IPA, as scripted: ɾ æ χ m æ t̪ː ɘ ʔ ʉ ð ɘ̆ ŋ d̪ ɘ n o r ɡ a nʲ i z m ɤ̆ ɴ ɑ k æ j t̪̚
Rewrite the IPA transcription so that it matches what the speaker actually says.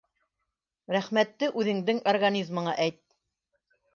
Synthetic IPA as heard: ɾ æ χ m æ t̪ː ɘ ʔ ʉ ð ɘ̆ ŋ d̪ ɘ ŋ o r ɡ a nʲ i z m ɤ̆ ɴ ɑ ʔ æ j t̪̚